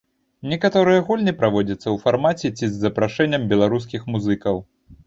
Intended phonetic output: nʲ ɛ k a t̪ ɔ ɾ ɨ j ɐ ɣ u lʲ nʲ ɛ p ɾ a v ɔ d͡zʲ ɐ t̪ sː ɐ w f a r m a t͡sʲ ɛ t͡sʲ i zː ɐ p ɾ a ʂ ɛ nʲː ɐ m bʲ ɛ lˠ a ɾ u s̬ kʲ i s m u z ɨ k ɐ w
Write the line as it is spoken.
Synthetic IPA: nʲ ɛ k a t̪ ɔ ɾ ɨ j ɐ ɣ u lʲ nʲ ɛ p ɾ a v ɔ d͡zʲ ɐ t̪ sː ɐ w f a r m a t͡sʲ ɛ t͡sʲ i zː ɐ p ɾ a ʂ ɛ nʲː ɐ m bʲ ɛ lˠ a ɾ u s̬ kʲ i x m u z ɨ k ɐ w

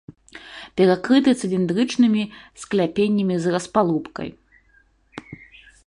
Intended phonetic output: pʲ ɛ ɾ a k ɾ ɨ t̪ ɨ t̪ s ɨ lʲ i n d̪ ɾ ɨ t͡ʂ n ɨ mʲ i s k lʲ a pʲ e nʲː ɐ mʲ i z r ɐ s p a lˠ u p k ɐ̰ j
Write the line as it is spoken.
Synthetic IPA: pʲ ɛ ɾ a k ɾ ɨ t̪ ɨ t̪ s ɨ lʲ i n d̪ ɾ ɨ t͡ʂ n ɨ mʲ i s k lʲ a pʲ e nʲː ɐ mʲ i z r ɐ s p a lˠ u p k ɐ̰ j

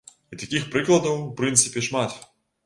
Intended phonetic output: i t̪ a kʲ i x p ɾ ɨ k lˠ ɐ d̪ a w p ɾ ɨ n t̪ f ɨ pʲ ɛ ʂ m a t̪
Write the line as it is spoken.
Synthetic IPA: i t̪ a kʲ i x p ɾ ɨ k lˠ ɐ d̪ ɐ w p ɾ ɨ n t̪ s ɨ pʲ ɛ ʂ m a t̪

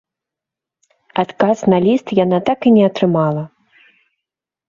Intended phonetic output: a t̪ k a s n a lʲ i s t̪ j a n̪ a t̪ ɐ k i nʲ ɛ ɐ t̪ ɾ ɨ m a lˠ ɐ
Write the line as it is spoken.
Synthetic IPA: a t̪ k a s n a lʲ i s t̪ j a n̪ a t̪ a k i nʲ ɛ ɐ t̪ ɾ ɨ m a lˠ ɐ

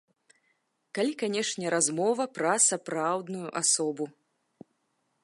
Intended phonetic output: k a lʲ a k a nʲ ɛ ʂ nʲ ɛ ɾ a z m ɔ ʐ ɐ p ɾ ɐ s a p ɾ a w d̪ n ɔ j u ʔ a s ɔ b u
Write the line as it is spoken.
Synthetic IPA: k a lʲ i k a nʲ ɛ ʂ nʲ ɛ ɾ a z m ɔ v ɐ p ɾ ɐ s a p ɾ a w d̪ n u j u ʔ a s ɔ b u

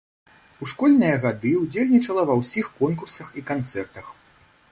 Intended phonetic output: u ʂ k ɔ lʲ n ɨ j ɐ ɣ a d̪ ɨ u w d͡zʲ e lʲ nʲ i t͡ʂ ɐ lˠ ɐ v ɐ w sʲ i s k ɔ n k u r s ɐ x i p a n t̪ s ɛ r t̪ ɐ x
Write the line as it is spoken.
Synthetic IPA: u ʂ k ɔ lʲ n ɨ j ɐ ɣ a d̪ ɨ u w d͡zʲ e lʲ nʲ i t͡ʂ ɐ lˠ ɐ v ɐ w sʲ i x k ɔ n k u r s ɐ x i k a n t̪ s ɛ r t̪ ɐ x

